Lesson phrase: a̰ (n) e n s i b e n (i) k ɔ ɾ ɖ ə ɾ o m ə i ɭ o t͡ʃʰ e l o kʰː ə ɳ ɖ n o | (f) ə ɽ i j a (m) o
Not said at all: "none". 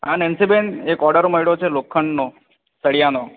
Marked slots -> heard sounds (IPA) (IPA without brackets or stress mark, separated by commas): n, e, s, n